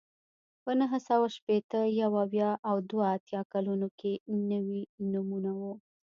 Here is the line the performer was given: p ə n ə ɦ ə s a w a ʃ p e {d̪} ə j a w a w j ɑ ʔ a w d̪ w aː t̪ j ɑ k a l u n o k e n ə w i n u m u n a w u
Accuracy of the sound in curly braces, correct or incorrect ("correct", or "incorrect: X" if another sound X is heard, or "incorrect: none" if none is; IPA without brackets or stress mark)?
incorrect: t̪